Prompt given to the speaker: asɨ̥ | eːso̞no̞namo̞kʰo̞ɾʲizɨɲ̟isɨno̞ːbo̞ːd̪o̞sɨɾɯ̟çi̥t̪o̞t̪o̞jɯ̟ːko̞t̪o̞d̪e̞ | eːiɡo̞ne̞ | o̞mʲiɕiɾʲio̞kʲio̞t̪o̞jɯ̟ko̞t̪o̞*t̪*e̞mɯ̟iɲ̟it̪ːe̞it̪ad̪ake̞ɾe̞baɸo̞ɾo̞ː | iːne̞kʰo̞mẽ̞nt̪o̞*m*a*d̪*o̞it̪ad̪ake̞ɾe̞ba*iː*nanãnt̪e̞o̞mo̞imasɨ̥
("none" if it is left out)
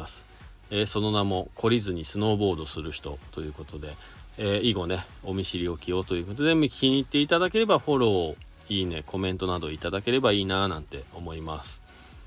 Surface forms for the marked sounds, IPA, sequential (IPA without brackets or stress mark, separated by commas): d̪, n, d̪, iː